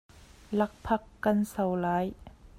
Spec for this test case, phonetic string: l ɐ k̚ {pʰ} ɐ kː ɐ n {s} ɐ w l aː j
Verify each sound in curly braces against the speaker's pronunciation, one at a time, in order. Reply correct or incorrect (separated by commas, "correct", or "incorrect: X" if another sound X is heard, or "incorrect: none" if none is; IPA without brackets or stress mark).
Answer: correct, correct